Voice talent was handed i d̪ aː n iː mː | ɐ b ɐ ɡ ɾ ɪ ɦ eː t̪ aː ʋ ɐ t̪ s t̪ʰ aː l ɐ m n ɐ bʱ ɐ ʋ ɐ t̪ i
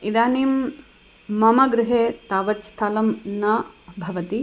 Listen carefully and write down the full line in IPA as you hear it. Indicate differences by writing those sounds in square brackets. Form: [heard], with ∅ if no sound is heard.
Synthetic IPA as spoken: i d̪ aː n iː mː | ɐ [m] ɐ ɡ ɾ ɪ ɦ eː t̪ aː ʋ ɐ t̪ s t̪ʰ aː l ɐ m n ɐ bʱ ɐ ʋ ɐ t̪ i

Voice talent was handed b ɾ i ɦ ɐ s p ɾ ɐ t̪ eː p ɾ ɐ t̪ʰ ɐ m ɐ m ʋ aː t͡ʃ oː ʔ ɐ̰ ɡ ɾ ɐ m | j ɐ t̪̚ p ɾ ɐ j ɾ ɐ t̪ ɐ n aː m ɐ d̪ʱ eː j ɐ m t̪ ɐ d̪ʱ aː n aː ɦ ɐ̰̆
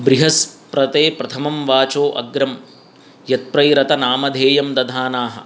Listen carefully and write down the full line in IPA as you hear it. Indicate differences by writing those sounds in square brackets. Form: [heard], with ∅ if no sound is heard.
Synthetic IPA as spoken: b ɾ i ɦ ɐ s p ɾ ɐ t̪ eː p ɾ ɐ t̪ʰ ɐ m ɐ m ʋ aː t͡ʃ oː ʔ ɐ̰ ɡ ɾ ɐ m | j ɐ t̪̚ p ɾ ɐ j ɾ ɐ t̪ ɐ n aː m ɐ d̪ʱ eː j ɐ m [d̪] ɐ d̪ʱ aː n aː ɦ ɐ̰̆

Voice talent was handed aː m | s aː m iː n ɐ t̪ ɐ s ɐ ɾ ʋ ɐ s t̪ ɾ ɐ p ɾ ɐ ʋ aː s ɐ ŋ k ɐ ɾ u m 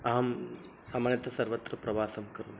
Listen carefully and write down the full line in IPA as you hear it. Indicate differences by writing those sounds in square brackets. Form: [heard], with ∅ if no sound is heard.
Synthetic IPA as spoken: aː m | s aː m [aː] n ɐ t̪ ɐ s ɐ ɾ ʋ ɐ [∅] t̪ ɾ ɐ p ɾ ɐ ʋ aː s ɐ [m] k ɐ ɾ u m

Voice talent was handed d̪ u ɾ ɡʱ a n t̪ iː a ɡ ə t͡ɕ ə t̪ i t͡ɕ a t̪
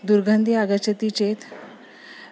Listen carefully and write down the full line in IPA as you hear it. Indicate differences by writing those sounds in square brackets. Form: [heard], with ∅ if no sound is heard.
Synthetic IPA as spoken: d̪ u ɾ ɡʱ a n [d̪] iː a ɡ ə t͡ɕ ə t̪ i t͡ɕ [e] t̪

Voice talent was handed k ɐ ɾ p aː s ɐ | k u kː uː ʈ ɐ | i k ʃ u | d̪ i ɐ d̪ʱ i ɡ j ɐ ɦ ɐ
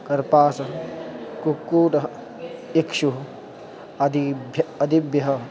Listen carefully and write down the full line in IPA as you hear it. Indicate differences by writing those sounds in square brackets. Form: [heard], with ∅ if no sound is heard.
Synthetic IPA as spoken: k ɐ ɾ p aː s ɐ | k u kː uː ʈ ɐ | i k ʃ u | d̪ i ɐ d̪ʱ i [b] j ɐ ɦ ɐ

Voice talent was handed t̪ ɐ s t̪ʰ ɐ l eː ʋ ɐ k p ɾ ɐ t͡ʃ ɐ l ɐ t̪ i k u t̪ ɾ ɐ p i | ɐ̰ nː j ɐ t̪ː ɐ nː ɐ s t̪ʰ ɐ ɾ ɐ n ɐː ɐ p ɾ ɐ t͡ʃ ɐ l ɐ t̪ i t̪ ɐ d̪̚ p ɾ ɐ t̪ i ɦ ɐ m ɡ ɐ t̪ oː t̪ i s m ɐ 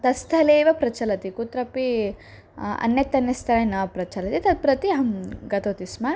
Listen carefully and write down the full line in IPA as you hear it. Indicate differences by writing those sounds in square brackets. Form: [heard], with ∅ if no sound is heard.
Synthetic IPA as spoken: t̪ ɐ s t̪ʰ ɐ l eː ʋ ɐ [∅] p ɾ ɐ t͡ʃ ɐ l ɐ t̪ i k u t̪ ɾ ɐ p i | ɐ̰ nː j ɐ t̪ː ɐ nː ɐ s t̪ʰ ɐ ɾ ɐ n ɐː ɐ p ɾ ɐ t͡ʃ ɐ l ɐ t̪ i t̪ ɐ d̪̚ p ɾ ɐ t̪ i ɦ ɐ m ɡ ɐ t̪ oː t̪ i s m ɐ

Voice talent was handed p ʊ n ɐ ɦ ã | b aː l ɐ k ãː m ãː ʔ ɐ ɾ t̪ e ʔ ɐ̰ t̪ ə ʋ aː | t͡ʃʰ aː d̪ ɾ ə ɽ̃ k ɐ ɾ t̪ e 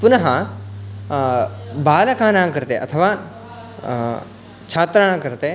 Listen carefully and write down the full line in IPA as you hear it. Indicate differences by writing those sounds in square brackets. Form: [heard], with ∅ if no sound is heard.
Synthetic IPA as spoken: p ʊ n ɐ ɦ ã | b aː l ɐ k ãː [n] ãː [k] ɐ ɾ t̪ e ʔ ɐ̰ [t̪ʰ] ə ʋ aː | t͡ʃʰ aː [t̪] ɾ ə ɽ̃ k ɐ ɾ t̪ e

